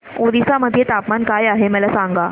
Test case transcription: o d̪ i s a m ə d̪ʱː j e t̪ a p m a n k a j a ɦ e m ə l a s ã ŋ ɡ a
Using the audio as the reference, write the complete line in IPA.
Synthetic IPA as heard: o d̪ i s a m ə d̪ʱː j e t̪ a p m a n k a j a ɦ e m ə l a s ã ŋ ɡ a

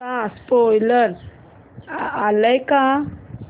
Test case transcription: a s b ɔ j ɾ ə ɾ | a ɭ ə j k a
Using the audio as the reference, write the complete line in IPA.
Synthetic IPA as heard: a s p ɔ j l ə ɾ | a l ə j k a

